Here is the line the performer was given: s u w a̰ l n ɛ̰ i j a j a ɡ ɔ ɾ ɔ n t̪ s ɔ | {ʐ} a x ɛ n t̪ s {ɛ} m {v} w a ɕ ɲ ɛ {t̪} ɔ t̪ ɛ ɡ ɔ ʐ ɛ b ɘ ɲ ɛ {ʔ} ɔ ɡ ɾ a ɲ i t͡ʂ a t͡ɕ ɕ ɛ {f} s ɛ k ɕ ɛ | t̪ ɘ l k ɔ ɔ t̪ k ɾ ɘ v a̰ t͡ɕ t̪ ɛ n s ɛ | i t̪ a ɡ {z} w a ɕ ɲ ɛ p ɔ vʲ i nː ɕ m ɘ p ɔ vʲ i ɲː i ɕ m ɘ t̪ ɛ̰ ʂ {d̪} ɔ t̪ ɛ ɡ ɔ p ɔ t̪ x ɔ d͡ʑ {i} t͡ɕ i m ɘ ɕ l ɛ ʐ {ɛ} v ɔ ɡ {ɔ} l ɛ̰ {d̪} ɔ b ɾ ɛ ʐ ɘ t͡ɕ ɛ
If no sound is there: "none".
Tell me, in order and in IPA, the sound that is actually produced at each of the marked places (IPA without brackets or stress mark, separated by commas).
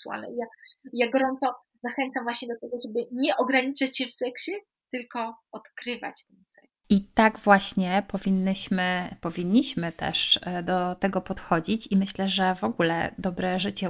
z, a, v, d̪, ʔ, f, v, d̪, i, ɛ, u, d̪